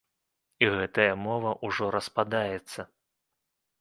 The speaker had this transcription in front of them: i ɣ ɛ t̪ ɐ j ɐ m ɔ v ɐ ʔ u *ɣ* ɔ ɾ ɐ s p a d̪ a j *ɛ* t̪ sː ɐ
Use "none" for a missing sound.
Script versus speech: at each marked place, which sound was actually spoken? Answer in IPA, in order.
ʐ, ɛ

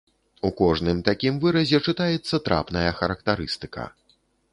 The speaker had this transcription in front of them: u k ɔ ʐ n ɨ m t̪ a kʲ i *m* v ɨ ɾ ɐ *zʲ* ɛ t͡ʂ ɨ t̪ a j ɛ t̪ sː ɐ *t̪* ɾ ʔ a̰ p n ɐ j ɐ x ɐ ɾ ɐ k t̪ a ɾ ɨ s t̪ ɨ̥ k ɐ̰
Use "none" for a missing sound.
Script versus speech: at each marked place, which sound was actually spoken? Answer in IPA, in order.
m, zʲ, t̪

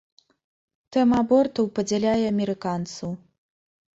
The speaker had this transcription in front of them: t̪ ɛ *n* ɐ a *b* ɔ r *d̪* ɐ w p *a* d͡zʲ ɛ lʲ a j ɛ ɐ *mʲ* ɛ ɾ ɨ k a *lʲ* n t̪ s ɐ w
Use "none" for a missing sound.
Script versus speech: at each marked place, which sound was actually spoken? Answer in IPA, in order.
m, b, t̪, ɐ, mʲ, none

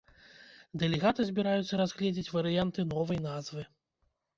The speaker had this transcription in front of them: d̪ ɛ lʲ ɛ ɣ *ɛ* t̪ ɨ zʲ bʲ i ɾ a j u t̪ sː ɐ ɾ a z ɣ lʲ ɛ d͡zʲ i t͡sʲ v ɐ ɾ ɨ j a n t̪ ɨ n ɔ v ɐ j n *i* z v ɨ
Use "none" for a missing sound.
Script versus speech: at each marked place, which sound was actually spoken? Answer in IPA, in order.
a, a

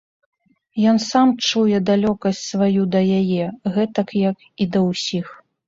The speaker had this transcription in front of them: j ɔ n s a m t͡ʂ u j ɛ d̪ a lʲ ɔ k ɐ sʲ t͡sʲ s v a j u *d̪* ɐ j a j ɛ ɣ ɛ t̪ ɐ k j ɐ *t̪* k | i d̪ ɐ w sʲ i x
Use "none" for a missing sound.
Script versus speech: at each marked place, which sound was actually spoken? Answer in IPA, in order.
d̪, none

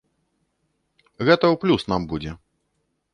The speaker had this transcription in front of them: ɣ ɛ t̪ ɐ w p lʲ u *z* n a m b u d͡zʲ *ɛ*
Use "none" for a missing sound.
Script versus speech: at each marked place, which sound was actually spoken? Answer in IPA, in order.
s, ɛ

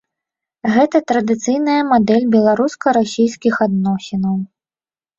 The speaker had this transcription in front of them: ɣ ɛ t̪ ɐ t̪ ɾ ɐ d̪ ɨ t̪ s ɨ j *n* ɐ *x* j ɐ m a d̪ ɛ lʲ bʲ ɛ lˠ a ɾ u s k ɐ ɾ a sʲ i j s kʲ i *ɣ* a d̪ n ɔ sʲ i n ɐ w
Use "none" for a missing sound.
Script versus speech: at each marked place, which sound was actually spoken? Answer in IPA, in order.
n, none, x

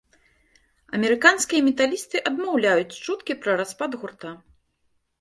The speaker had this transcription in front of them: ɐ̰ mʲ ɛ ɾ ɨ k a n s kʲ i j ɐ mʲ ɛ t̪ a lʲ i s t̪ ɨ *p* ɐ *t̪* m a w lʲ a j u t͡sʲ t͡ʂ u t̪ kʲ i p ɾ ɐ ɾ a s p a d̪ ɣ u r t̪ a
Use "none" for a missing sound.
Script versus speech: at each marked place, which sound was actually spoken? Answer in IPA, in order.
ʔ, d̪

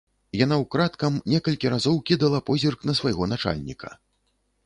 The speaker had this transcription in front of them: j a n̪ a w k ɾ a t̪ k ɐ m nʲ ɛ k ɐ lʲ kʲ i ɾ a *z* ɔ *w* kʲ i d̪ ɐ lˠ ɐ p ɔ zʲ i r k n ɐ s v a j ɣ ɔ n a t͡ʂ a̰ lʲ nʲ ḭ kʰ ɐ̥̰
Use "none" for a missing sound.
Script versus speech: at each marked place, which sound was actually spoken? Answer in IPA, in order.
z, w

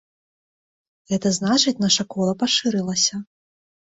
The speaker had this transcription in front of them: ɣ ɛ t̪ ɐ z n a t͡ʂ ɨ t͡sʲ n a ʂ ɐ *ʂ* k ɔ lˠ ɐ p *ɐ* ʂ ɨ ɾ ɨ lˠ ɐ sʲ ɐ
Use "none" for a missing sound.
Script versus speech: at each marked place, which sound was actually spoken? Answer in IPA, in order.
none, a

